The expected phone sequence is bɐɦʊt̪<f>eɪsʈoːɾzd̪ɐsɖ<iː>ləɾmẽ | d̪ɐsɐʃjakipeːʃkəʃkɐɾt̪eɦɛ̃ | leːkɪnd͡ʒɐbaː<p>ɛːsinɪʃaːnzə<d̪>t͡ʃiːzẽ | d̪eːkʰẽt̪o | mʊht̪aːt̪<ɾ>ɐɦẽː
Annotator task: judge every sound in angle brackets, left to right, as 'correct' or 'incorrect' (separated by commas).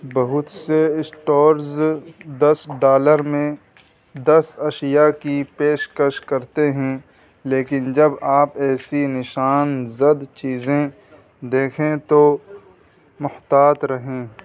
incorrect, incorrect, correct, correct, correct